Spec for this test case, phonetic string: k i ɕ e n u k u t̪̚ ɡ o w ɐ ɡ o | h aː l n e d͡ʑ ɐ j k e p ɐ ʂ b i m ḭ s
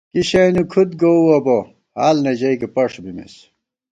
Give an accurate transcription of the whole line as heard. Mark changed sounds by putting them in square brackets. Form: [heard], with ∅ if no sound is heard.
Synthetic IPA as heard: k i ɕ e n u [kʰ] u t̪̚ ɡ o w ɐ [b] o | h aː l n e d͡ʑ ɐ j k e p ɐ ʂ b i m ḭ s